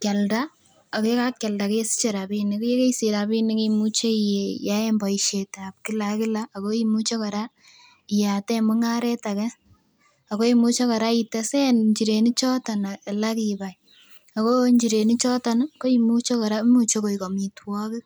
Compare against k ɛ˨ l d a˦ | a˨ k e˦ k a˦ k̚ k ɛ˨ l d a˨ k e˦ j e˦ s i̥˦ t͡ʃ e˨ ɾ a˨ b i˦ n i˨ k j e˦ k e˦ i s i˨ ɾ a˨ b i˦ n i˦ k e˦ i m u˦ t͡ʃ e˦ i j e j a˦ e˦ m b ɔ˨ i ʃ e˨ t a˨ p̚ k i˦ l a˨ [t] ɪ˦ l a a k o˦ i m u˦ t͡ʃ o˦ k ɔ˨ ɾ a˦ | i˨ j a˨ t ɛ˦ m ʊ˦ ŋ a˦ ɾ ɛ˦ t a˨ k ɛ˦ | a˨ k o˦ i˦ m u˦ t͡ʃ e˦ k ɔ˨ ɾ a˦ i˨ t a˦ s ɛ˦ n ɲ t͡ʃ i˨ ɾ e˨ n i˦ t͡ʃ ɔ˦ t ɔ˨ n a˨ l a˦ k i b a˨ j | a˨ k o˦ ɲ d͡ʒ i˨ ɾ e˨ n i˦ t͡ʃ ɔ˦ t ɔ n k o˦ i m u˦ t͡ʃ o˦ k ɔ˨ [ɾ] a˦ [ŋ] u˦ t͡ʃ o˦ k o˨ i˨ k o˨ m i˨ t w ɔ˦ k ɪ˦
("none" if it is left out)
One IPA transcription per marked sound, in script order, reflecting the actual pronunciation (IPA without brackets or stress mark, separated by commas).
k, ɾ, m